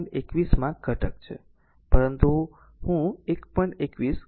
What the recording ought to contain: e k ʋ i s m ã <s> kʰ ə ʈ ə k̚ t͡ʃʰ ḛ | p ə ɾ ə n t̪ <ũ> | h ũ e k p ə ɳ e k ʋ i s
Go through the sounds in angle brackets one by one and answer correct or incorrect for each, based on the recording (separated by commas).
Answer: incorrect, incorrect